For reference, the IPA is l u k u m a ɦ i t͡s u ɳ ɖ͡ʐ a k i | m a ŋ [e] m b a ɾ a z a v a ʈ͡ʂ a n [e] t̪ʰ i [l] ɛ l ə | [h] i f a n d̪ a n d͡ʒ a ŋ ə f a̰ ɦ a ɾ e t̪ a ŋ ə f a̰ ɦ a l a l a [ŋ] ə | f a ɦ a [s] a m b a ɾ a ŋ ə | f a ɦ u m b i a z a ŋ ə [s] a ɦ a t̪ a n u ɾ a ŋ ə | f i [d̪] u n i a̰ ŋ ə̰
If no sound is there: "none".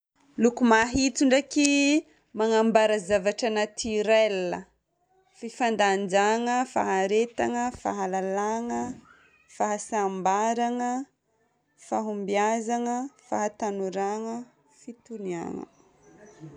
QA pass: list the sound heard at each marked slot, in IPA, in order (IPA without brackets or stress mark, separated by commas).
a, a, ɾ, f, ŋ, s, f, t̪